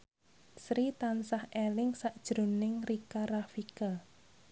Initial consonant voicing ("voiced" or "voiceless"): voiceless